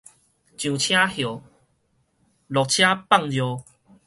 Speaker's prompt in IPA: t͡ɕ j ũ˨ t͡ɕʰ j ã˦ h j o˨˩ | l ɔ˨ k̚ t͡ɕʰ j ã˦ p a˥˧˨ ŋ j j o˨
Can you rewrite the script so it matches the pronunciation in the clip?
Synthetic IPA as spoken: t͡ɕ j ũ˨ t͡ɕʰ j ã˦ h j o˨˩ | l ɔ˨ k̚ t͡ɕʰ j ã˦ p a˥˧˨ ŋ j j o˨